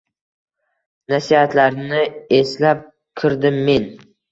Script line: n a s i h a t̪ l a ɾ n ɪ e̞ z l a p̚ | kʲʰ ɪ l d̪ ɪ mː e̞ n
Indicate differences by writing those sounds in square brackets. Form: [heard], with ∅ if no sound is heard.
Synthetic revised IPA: n a s i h a t̪ l a ɾ n ɪ e̞ [s] l a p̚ | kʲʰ ɪ [ɾ] d̪ ɪ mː e̞ n